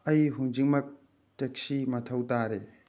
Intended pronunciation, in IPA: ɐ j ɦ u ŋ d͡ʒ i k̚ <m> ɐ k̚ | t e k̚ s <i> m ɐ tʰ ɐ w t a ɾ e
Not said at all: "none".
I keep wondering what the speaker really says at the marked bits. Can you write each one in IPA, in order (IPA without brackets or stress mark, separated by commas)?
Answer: m, i